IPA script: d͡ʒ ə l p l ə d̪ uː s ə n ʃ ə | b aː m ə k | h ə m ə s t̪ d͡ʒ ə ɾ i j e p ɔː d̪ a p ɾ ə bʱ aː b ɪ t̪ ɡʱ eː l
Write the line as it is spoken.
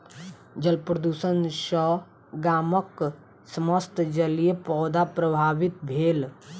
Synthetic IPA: d͡ʒ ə l p ɾ ə d̪ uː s ə n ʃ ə | ɡ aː m ə k | s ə m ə s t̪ d͡ʒ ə l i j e p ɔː d̪ a p ɾ ə bʱ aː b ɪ t̪ bʱ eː l

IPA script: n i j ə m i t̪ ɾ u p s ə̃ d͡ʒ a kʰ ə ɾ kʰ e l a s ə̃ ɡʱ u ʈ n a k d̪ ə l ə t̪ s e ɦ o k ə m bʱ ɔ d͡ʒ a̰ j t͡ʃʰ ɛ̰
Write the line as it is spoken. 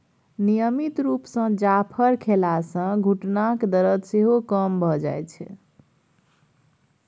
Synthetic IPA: n i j ə m i t̪ ɾ u p s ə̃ d͡ʒ a pʰ ə ɾ kʰ e l a s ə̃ ɡʱ u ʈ n a k d̪ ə ɾ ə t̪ s e ɦ o k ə m bʱ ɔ d͡ʒ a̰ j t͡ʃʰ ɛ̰

